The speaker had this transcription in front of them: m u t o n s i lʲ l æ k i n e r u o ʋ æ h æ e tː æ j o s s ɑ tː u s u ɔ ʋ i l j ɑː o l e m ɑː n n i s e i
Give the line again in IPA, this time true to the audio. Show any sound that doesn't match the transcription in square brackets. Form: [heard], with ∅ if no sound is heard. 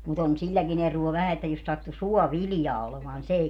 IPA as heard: m u t o n s i lʲ l æ k i n e r u o ʋ æ h æ e tː æ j o s s ɑ tː u s u ɔ ʋ i l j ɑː o l e m ɑː n n i s e i